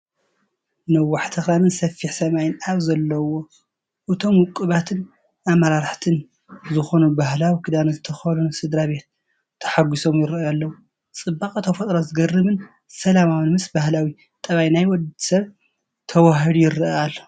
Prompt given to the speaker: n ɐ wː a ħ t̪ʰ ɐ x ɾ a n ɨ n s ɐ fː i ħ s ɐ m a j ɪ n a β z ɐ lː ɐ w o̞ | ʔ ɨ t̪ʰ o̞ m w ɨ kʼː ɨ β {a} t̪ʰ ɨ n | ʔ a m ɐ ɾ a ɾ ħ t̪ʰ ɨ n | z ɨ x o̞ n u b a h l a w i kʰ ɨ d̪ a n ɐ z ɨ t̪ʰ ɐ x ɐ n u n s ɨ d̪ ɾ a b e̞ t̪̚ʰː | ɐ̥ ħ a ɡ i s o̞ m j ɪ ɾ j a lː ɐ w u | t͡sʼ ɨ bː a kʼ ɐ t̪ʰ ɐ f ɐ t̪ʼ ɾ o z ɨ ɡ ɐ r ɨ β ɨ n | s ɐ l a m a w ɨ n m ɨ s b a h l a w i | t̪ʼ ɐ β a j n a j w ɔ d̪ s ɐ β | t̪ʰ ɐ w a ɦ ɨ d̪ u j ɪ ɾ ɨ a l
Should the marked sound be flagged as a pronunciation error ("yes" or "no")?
no